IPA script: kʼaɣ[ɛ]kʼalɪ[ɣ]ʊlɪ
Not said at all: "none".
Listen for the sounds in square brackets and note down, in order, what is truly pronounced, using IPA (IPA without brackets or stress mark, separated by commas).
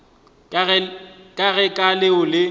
ɛ, none